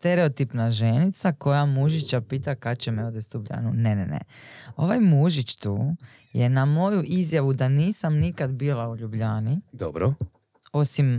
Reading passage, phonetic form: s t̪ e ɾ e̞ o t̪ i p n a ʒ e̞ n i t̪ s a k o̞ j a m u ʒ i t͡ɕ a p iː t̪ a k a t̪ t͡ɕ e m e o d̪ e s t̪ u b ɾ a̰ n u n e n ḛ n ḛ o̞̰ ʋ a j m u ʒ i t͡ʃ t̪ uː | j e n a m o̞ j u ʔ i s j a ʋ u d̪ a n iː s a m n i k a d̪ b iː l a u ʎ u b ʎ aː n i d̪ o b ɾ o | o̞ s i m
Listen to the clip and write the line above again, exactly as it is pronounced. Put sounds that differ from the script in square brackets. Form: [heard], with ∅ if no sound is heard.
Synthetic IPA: s t̪ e ɾ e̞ o t̪ i p n a ʒ e̞ n i t̪ s a k o̞ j a m u ʒ i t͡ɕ a p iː t̪ a k a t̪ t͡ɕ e m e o d̪ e s t̪ u b [ʎ] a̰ n u n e n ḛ n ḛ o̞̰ ʋ a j m u ʒ i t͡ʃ t̪ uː | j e n a m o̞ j u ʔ i [z] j a ʋ u d̪ a n iː s a m n i k a d̪ b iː l a u ʎ u b ʎ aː n i d̪ o b ɾ o | o̞ s i m